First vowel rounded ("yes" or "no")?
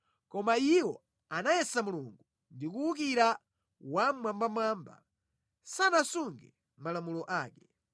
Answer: yes